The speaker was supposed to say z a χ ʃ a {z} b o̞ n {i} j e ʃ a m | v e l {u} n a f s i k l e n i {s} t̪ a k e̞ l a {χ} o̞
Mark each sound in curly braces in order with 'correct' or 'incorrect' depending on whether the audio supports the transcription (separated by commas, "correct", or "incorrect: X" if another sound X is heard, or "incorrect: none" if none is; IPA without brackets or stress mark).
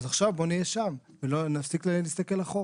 incorrect: v, correct, incorrect: o, correct, correct